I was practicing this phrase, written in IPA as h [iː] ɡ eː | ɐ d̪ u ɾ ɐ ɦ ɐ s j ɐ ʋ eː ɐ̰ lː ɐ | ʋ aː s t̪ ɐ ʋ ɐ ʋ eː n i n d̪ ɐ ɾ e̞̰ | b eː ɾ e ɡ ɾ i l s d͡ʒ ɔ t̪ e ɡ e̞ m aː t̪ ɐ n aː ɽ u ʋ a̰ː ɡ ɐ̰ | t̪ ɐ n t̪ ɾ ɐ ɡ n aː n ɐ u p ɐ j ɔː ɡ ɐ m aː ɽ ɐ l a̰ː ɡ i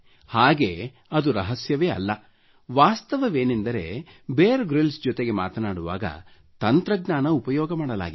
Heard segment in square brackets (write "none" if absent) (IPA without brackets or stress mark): aː